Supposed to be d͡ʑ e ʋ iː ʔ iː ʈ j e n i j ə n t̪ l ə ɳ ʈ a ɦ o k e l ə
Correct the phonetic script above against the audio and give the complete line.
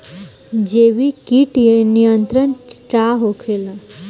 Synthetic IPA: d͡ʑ e ʋ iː k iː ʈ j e n i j ə n t̪ ɾ ə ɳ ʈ a ɦ o kʰ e l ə